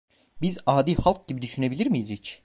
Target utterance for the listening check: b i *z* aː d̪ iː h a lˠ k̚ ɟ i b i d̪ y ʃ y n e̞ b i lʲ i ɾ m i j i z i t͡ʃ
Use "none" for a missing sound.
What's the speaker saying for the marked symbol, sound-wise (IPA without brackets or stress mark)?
z